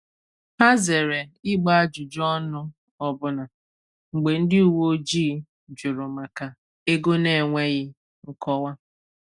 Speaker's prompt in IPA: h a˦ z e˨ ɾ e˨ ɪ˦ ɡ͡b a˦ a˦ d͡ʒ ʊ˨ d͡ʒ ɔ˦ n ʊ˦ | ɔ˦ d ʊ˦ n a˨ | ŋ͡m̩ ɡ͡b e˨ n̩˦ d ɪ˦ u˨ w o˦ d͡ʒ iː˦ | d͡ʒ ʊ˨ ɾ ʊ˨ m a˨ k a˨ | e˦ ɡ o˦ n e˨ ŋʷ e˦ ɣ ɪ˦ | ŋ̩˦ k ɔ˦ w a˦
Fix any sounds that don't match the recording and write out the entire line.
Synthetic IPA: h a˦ z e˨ ɾ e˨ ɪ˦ ɡ͡b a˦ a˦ d͡ʒ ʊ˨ d͡ʒ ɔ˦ n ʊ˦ | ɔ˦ b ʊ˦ n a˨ | ŋ͡m̩ ɡ͡b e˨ n̩˦ d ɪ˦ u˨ w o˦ d͡ʒ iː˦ | d͡ʒ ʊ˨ ɾ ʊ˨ m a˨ k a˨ | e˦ ɡ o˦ n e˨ ŋʷ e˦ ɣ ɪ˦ | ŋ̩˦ k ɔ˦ w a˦